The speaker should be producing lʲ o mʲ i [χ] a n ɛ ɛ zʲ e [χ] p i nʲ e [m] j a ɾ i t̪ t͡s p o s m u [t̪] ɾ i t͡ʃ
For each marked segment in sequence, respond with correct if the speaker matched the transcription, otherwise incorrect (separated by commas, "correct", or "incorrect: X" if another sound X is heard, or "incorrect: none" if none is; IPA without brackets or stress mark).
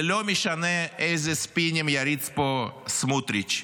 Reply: incorrect: ʃ, incorrect: s, correct, correct